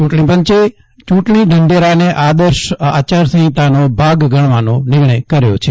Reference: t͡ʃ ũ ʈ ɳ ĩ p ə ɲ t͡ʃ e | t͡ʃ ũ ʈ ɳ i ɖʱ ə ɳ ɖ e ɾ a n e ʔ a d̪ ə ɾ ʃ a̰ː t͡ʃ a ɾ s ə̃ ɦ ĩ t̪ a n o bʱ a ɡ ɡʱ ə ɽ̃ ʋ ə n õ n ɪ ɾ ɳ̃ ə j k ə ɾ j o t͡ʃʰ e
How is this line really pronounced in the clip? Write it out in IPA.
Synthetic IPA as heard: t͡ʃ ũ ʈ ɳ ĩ p ə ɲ t͡ʃ e | t͡ʃ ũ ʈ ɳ i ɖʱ ə ɳ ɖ e ɾ a n e ʔ a d̪ ə ɾ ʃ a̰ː t͡ʃ a ɾ s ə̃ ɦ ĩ t̪ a n o bʱ a ɡ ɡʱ ə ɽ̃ ʋ a n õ n ɪ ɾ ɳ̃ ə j k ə ɾ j o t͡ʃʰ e